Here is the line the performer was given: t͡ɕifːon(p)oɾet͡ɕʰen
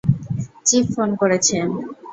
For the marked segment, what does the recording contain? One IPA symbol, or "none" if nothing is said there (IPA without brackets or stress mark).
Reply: k